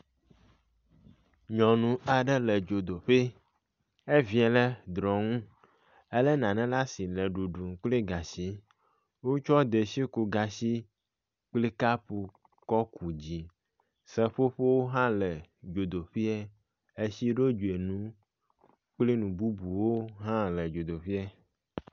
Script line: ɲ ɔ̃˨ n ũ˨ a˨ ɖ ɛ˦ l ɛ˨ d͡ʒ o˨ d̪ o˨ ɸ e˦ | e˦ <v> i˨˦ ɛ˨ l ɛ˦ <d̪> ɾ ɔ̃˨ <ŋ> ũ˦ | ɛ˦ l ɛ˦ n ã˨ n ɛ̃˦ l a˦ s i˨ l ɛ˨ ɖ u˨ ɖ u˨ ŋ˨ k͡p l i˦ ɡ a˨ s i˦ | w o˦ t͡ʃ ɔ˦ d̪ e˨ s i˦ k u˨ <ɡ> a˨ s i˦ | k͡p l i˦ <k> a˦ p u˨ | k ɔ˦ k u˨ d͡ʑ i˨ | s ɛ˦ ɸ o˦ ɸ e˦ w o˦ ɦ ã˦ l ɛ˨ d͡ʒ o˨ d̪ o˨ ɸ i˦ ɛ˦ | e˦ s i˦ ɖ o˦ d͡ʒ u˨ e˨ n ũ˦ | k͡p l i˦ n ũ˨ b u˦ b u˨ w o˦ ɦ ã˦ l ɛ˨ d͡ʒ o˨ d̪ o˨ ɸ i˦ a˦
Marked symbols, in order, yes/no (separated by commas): yes, yes, yes, yes, yes